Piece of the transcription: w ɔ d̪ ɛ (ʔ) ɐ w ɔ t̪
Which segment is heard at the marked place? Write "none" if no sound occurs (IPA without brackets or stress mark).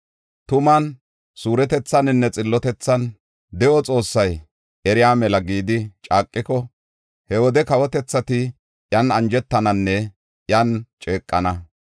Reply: k